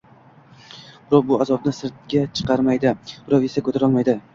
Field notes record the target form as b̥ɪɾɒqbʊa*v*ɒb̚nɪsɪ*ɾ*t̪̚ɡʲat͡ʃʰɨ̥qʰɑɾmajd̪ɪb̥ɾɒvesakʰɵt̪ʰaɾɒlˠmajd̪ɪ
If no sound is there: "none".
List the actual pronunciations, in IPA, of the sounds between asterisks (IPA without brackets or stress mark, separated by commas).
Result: z, ɾ